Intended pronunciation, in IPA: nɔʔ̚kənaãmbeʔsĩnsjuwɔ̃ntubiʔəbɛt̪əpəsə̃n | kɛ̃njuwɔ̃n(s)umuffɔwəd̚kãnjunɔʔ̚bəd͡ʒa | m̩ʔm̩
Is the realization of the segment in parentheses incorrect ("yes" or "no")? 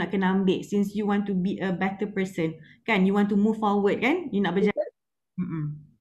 yes